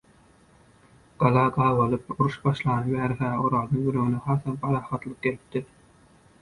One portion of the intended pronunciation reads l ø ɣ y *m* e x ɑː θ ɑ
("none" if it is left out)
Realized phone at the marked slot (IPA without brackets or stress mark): n